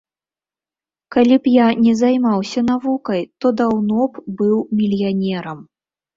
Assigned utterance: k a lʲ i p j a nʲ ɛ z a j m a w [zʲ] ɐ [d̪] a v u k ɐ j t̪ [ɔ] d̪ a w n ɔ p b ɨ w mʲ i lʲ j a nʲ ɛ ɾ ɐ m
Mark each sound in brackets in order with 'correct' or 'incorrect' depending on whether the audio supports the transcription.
incorrect: sʲ, incorrect: n̪, correct

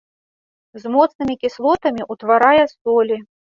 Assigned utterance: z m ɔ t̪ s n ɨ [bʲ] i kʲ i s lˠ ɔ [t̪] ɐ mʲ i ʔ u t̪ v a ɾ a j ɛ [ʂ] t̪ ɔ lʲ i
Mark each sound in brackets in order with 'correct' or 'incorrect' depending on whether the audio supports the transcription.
incorrect: mʲ, correct, incorrect: s

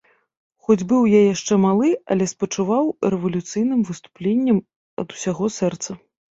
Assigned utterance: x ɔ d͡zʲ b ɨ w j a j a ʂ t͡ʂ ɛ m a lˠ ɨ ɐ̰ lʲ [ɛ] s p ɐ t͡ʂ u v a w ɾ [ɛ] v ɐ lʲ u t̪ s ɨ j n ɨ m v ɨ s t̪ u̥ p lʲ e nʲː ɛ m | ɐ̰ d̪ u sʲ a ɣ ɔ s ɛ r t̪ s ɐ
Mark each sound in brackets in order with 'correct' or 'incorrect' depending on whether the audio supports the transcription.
correct, correct

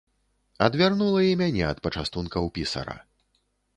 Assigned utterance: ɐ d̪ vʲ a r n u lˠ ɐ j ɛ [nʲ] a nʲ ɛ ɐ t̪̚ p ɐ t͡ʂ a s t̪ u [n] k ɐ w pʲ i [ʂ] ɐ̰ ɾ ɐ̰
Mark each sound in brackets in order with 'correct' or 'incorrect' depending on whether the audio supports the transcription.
incorrect: mʲ, correct, incorrect: s

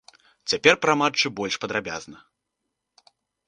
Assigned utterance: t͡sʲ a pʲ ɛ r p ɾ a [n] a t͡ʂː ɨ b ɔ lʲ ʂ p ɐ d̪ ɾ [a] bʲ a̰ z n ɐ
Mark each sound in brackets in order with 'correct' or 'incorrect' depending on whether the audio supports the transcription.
incorrect: m, correct

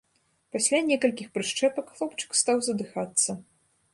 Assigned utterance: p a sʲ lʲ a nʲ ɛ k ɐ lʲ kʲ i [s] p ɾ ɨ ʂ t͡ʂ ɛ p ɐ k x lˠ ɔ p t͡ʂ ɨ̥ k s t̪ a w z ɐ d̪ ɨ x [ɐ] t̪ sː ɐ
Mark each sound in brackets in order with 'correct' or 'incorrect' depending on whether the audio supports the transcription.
incorrect: x, incorrect: a

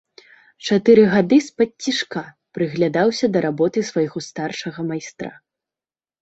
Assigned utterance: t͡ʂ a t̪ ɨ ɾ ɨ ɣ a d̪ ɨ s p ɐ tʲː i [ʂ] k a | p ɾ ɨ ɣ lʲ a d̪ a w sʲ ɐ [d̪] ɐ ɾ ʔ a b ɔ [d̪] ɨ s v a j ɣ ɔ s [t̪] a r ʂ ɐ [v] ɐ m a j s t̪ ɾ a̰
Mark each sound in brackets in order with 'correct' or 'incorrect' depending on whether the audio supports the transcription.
correct, correct, incorrect: t̪, correct, incorrect: ɣ

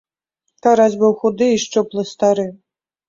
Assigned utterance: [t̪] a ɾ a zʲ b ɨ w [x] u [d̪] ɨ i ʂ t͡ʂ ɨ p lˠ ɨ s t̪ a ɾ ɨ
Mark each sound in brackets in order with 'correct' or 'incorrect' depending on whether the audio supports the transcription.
correct, correct, correct

